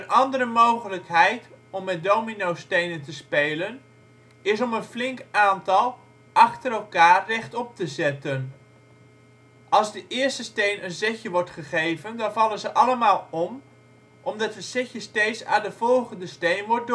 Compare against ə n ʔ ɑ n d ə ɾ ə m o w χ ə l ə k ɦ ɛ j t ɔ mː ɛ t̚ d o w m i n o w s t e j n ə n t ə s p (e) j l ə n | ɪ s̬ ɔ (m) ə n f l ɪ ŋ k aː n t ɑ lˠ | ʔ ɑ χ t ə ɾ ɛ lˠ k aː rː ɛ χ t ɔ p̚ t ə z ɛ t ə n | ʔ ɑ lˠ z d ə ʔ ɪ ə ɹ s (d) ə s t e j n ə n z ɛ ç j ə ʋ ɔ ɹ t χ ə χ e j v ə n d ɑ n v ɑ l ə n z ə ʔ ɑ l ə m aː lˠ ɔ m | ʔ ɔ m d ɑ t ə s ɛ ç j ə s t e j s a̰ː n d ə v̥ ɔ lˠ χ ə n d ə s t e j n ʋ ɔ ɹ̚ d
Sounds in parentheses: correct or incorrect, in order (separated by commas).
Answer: correct, correct, incorrect